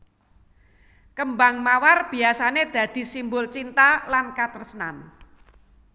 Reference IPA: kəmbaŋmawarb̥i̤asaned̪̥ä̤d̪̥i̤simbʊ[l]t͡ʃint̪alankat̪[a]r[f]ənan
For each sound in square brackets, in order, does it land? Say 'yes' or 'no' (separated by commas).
yes, no, no